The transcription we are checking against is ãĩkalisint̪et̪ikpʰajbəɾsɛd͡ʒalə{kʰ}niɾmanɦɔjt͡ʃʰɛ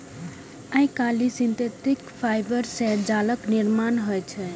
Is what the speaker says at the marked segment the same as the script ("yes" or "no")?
no